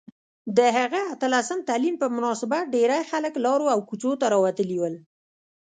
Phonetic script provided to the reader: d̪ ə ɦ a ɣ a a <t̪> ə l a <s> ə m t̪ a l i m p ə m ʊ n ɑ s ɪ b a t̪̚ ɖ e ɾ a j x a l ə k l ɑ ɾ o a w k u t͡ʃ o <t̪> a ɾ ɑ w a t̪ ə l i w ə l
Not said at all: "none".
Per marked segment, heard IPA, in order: t̪, s, t̪

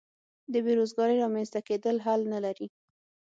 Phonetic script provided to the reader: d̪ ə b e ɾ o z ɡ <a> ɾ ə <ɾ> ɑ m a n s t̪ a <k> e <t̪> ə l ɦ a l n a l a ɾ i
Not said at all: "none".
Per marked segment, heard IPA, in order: ɑ, ɾ, k, d̪

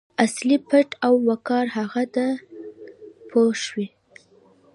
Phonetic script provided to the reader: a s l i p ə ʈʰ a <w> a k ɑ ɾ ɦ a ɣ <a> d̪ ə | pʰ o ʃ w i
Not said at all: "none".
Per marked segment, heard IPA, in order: wː, a

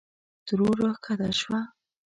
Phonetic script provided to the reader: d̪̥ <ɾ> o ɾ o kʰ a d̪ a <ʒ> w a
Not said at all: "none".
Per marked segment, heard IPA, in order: ɾ, ʃ

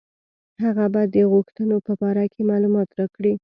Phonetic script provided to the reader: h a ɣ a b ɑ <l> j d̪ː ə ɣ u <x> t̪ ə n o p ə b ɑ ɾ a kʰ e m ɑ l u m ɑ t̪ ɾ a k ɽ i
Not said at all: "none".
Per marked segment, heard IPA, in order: none, x

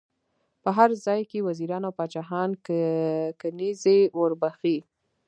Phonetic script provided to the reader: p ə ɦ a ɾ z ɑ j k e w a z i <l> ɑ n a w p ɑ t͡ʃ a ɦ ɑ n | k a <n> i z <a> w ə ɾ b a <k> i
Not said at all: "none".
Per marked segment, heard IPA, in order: ɾ, n, e, x

